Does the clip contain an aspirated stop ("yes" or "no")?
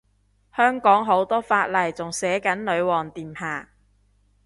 no